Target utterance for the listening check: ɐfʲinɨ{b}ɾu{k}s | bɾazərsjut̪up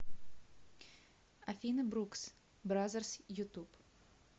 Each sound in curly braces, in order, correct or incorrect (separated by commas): correct, correct